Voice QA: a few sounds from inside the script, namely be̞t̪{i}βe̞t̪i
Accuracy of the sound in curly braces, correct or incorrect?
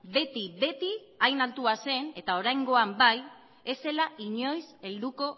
correct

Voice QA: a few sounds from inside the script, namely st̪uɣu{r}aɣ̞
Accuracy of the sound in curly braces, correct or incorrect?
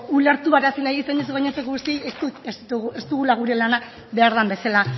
incorrect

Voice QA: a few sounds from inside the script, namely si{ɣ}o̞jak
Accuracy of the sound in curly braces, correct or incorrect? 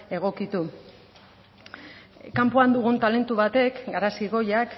correct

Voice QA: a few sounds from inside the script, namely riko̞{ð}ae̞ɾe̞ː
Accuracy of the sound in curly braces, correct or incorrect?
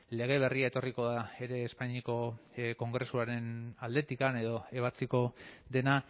correct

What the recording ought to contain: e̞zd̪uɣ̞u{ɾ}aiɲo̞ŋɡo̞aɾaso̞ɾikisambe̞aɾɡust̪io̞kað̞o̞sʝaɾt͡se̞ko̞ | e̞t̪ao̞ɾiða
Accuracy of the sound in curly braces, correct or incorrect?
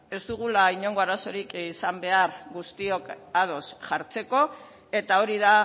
incorrect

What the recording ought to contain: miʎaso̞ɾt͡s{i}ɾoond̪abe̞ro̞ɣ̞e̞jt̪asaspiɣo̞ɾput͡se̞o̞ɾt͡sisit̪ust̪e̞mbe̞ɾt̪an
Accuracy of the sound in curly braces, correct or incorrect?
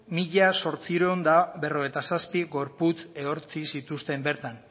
correct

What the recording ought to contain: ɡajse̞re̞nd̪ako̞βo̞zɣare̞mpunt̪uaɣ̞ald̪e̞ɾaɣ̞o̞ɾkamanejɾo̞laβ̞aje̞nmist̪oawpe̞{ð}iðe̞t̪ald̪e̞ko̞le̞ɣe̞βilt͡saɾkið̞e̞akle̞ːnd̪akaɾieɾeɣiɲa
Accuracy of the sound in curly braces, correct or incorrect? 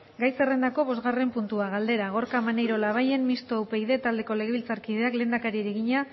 incorrect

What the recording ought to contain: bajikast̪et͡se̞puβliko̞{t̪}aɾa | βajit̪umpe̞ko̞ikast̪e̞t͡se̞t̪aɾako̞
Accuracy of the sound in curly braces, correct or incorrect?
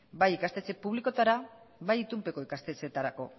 correct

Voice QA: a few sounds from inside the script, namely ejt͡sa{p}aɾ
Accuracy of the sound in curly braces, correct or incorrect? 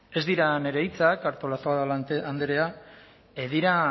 incorrect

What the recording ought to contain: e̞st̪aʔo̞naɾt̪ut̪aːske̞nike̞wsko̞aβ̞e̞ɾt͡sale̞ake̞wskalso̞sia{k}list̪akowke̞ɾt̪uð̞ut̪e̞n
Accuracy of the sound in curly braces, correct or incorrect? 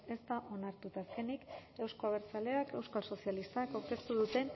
incorrect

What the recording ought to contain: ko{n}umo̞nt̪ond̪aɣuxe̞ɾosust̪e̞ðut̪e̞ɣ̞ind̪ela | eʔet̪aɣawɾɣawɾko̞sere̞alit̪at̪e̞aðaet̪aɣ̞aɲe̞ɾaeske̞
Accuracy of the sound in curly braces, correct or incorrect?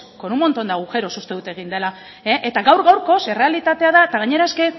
correct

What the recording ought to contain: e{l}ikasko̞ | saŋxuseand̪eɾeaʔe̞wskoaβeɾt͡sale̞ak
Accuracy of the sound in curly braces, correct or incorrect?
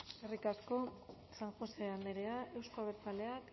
incorrect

